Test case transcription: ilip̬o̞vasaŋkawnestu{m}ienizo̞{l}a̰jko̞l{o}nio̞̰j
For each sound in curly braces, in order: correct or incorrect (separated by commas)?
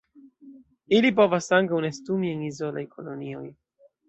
correct, correct, correct